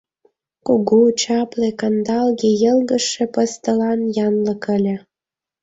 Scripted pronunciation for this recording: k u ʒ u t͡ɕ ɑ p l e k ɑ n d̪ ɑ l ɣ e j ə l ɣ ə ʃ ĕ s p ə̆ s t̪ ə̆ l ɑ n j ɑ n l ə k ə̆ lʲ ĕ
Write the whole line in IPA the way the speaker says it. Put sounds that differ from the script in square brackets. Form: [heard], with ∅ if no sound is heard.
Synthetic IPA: k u [ɣ] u t͡ɕ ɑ p l e k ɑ n d̪ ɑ l ɣ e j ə l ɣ ə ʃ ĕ [∅] p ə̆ s t̪ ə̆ l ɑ n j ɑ n l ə k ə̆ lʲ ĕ

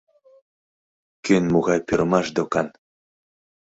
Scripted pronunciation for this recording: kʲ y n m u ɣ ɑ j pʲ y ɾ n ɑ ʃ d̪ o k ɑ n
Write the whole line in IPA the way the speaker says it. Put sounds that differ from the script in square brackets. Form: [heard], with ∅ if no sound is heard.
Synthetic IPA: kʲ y n m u ɣ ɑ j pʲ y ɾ [m] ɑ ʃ d̪ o k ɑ n

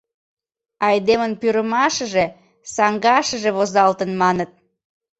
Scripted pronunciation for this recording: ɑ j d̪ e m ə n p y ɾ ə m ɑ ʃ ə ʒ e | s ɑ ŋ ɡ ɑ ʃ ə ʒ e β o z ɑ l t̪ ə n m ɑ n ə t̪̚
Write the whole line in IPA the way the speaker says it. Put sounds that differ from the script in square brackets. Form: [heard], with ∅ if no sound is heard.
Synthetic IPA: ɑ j d̪ e m ə n p y ɾ ə m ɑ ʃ ə ʒ e | s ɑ ŋ ɡ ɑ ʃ ə ʒ e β o z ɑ l t̪ ə n m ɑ n ə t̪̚

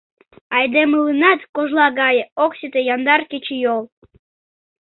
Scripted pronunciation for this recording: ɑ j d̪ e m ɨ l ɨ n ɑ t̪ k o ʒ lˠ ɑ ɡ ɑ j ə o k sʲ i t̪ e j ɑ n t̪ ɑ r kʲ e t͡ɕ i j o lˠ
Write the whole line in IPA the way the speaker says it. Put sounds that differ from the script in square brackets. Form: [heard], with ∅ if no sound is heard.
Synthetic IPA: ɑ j d̪ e m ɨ l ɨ n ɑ t̪ k o ʒ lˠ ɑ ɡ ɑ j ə o k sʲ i t̪ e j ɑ n [d̪] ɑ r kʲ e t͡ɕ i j o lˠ

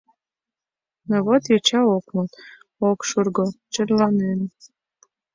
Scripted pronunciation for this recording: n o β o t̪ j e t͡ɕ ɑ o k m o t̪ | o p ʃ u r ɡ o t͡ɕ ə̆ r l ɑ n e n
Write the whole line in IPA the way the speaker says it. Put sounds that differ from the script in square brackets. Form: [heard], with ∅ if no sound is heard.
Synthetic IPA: n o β o t̪ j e t͡ɕ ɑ o k m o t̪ | o [k] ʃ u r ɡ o t͡ɕ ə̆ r l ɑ n e n

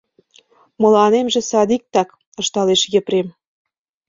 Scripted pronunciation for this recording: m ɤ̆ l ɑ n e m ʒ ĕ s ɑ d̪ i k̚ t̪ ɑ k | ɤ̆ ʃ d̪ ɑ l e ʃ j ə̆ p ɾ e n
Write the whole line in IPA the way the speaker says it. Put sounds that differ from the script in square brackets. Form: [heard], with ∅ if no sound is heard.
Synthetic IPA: m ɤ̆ l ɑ n e m ʒ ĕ s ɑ d̪ i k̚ t̪ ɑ k | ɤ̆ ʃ [t̪] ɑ l e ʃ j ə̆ p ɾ e [m]

